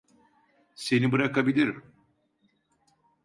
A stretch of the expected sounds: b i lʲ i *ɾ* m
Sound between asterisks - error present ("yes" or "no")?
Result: no